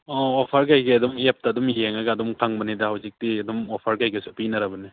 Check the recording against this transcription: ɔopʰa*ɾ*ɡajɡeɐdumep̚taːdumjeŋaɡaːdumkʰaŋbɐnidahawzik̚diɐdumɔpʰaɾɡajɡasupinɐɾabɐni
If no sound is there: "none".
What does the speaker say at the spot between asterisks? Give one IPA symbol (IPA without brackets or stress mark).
ɾ